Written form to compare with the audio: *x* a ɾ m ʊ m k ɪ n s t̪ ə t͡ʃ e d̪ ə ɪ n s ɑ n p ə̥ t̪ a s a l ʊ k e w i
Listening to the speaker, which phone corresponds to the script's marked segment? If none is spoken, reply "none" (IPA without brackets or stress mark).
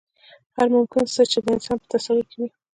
h